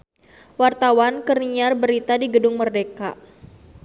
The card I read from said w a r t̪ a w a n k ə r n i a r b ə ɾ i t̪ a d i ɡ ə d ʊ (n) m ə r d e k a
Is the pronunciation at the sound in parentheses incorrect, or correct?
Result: incorrect